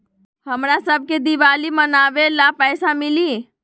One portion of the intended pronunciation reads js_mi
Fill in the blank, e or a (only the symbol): a